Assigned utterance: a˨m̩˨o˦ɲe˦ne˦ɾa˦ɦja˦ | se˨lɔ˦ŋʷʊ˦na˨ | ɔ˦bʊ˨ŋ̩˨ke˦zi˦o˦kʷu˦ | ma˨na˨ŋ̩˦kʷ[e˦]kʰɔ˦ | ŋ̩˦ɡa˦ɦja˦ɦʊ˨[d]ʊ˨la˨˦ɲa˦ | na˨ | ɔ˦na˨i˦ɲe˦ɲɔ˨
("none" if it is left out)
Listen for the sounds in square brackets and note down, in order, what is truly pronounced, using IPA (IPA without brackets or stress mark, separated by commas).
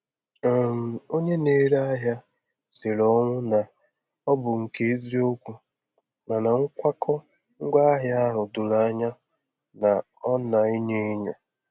a˦, d